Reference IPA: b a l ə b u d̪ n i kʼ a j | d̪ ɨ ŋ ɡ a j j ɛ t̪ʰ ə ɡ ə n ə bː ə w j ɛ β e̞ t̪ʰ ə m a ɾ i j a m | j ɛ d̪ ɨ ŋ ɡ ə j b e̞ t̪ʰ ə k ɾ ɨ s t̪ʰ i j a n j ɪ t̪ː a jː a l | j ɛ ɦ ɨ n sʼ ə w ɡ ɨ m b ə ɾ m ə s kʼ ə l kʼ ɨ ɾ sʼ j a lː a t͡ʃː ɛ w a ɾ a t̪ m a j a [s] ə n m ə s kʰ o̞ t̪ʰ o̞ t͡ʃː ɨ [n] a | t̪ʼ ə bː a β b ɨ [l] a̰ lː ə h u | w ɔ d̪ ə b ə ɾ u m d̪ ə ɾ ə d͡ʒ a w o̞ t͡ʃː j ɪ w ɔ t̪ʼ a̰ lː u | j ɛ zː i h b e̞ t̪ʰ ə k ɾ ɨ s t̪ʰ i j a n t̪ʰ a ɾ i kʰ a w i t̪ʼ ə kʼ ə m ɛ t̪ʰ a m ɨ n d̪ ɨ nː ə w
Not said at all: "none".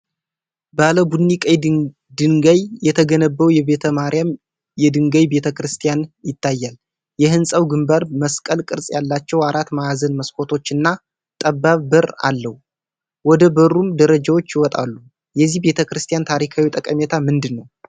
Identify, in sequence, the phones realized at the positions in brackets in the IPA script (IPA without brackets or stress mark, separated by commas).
z, nː, ɾ